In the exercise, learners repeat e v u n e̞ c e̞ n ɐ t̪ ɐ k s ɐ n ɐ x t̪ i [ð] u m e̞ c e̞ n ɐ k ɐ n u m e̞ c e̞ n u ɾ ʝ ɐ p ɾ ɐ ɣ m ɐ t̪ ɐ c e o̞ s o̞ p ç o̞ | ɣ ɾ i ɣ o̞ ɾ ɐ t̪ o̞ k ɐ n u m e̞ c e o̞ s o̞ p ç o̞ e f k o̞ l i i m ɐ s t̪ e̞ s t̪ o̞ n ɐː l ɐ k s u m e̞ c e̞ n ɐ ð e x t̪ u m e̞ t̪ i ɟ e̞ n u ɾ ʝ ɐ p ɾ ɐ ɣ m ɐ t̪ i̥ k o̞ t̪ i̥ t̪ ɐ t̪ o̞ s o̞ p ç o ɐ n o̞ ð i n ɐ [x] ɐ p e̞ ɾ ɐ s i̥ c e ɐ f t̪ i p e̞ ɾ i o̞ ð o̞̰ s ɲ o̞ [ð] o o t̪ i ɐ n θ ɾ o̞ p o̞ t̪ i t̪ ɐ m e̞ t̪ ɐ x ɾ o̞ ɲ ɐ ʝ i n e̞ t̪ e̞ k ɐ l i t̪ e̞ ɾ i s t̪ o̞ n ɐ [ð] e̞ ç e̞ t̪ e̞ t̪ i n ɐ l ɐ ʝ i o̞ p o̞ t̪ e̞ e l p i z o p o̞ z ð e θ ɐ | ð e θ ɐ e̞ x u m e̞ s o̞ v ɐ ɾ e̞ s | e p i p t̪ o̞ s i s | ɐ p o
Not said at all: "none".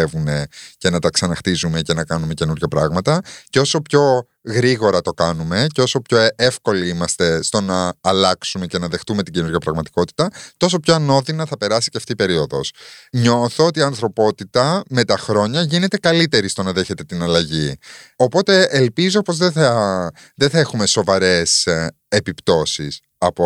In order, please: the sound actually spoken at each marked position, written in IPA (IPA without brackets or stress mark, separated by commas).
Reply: z, θ, θ, ð